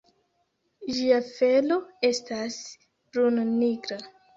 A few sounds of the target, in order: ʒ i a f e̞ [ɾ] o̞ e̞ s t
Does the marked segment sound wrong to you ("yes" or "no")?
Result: yes